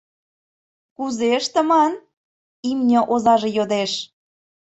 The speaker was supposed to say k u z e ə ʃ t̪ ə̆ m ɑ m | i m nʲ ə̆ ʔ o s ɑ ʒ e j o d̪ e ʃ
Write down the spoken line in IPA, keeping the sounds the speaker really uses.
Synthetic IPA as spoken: k u z e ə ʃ t̪ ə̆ m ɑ n | i m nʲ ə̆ ʔ o z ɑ ʒ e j o d̪ e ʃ